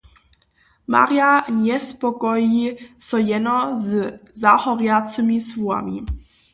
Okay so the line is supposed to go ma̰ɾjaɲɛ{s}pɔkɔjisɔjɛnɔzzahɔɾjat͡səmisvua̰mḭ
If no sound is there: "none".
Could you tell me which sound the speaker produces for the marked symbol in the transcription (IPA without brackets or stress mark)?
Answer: s